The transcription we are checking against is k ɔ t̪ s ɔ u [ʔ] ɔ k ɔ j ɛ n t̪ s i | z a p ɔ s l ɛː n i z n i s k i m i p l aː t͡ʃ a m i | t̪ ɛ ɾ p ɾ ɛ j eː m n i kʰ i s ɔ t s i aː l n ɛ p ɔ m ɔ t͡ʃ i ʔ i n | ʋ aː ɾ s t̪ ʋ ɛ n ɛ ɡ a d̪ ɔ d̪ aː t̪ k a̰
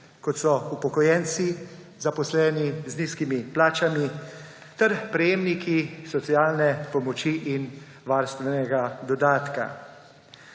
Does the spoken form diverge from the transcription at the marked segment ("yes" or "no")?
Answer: yes